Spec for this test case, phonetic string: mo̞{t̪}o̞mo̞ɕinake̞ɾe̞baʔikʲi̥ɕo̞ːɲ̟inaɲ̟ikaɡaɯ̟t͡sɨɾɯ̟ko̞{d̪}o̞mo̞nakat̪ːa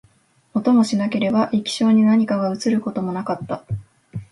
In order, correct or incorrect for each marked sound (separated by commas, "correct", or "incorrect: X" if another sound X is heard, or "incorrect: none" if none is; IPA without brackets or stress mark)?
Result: correct, incorrect: t̪